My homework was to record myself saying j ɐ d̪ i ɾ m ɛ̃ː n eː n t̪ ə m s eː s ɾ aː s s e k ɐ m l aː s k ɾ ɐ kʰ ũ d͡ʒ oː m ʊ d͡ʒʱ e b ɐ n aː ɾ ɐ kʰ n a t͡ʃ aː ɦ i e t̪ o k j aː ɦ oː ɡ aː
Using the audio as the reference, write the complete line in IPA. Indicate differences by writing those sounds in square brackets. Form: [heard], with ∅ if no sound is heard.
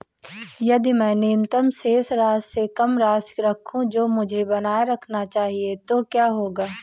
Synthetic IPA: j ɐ d̪ i [∅] m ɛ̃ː n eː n t̪ ə m s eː s ɾ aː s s e k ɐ m [ɾ] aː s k ɾ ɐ kʰ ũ d͡ʒ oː m ʊ d͡ʒʱ e b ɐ n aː ɾ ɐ kʰ n a t͡ʃ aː ɦ i e t̪ o k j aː ɦ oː ɡ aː